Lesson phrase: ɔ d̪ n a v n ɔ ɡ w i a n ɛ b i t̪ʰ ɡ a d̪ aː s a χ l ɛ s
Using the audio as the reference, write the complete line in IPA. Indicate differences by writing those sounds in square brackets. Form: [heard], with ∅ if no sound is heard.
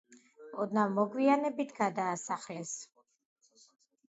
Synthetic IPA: ɔ d̪ n a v [m] ɔ ɡ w i a n ɛ b i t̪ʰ ɡ a d̪ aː s a χ l ɛ s